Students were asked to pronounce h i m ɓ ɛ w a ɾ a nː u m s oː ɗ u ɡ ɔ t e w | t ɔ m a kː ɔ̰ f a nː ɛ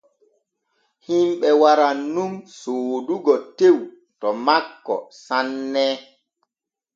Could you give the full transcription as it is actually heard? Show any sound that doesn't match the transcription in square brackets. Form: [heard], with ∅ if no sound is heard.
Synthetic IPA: h i m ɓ ɛ w a ɾ a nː u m s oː [d] u ɡ ɔ t e w | t ɔ m a kː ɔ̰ [s] a nː ɛ

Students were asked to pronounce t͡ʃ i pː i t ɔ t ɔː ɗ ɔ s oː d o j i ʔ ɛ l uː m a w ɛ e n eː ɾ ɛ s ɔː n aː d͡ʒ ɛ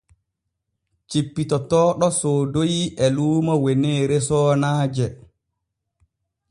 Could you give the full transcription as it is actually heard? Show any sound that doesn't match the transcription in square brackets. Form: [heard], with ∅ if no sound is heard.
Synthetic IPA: t͡ʃ i pː i t ɔ t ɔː ɗ ɔ s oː d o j i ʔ ɛ l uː m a w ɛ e n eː ɾ ɛ s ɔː n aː d͡ʒ ɛ

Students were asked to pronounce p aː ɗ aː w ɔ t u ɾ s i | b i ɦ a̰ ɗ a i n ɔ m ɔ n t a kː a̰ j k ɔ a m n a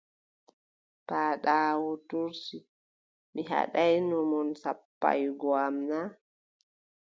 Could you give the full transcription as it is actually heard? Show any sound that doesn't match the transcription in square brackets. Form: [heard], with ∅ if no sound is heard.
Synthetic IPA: p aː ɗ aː w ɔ t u ɾ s i | [m] i ɦ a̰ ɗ a [j] n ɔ m ɔ n [s] a [pː] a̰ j [ɡ] ɔ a m n a

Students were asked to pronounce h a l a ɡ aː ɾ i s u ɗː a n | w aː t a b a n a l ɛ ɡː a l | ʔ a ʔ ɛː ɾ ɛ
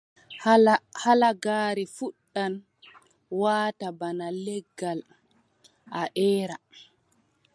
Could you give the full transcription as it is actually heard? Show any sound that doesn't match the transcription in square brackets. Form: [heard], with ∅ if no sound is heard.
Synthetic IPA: h a l a ɡ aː ɾ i [f] u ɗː a n | w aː t a b a n a l ɛ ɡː a l | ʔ a ʔ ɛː ɾ [a]

